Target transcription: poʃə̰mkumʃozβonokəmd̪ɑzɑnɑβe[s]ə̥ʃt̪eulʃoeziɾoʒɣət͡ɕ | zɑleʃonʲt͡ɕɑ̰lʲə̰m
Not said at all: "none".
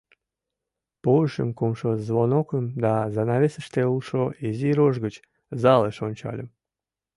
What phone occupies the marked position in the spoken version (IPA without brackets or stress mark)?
s